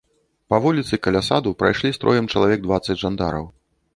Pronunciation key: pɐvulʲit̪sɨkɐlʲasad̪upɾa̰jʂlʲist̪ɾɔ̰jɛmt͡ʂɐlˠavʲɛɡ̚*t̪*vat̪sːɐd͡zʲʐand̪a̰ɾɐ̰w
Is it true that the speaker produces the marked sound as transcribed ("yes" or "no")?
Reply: no